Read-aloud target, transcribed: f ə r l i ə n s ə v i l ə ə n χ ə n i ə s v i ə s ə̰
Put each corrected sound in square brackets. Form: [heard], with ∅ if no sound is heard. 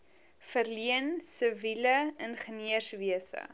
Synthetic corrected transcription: f ə r l i ə n s ə v i l ə ə n χ ə n i ə s v i ə s ə̰